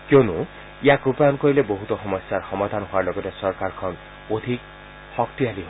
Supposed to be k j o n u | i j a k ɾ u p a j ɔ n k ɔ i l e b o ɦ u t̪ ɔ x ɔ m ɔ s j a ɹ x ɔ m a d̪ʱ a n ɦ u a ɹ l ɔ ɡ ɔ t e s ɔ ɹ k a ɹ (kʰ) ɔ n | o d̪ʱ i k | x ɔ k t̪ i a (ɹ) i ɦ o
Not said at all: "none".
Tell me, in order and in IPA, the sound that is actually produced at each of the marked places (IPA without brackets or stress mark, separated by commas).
kʰ, l